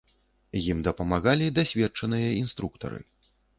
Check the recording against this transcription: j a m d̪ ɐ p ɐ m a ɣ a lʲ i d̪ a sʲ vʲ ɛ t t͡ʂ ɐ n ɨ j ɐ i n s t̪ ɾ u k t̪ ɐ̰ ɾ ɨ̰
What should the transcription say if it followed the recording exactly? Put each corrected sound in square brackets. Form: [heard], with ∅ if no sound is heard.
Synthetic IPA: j [i] m d̪ ɐ p ɐ m a ɣ a lʲ i d̪ a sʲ vʲ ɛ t t͡ʂ ɐ n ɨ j ɐ i n s t̪ ɾ u k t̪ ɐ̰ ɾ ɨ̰